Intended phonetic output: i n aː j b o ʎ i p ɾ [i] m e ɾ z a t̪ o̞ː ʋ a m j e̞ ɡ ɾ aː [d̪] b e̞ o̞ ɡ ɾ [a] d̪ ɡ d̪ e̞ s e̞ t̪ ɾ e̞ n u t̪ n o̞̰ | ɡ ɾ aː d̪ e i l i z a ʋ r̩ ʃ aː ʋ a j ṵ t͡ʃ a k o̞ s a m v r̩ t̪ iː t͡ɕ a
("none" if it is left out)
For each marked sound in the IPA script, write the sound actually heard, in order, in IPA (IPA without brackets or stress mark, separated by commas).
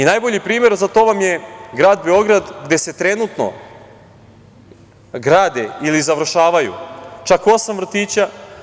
iː, d̪, a